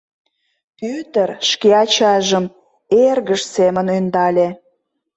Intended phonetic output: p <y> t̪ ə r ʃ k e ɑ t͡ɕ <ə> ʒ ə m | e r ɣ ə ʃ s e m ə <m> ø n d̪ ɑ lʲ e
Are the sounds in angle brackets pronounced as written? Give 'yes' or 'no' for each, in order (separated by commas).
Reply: yes, no, no